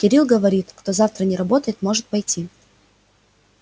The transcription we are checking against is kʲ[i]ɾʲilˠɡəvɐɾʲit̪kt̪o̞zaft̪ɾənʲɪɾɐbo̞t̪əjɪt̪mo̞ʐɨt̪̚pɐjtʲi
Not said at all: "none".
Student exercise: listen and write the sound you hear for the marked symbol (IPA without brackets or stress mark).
ɪ